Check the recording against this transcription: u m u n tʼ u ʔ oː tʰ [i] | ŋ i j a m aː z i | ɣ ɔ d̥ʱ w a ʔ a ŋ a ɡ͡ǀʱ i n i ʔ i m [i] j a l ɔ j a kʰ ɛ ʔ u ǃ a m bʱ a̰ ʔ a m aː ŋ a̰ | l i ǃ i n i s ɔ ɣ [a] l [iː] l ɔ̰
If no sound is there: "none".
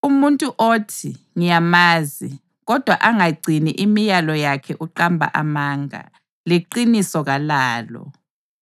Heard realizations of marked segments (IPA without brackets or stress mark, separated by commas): i, i, a, aː